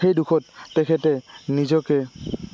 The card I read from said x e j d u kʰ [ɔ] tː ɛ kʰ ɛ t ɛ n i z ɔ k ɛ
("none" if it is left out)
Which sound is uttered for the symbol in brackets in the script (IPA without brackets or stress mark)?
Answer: ɔ